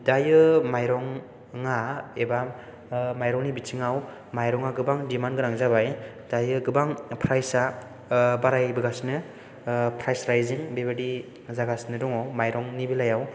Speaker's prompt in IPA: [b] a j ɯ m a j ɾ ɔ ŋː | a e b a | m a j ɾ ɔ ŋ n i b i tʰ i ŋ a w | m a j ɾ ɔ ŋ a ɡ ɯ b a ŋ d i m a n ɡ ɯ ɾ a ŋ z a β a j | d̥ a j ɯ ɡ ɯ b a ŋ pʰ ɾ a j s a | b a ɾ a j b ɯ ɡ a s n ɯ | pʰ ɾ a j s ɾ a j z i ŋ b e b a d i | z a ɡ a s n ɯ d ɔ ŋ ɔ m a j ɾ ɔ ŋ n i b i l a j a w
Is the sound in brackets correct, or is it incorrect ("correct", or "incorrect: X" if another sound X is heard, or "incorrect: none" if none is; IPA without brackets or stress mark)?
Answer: incorrect: d